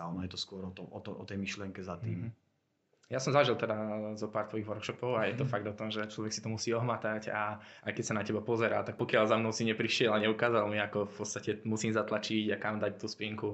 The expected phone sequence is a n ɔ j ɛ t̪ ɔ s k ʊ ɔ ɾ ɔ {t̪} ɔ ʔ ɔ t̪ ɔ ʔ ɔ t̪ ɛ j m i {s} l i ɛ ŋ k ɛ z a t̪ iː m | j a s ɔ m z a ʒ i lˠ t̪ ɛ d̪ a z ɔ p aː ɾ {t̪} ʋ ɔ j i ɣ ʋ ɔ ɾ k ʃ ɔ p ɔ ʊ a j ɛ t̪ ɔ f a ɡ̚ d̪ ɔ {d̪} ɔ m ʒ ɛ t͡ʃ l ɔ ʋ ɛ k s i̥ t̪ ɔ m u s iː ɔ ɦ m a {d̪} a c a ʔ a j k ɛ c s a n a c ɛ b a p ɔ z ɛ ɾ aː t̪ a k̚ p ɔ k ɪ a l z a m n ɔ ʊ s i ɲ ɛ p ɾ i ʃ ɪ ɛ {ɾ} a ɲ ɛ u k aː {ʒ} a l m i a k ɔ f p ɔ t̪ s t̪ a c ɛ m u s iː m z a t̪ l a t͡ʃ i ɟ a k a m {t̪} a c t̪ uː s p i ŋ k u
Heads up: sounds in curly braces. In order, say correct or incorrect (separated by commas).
correct, incorrect, correct, incorrect, incorrect, incorrect, incorrect, incorrect